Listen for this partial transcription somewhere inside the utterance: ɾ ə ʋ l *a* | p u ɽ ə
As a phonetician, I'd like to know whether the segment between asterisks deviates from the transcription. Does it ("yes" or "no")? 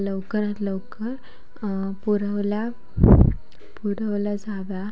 no